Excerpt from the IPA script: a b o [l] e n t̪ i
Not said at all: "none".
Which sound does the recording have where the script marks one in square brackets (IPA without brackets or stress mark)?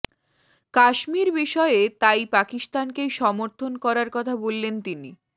lː